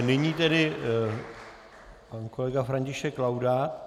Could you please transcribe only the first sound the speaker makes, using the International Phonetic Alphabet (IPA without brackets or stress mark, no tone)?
n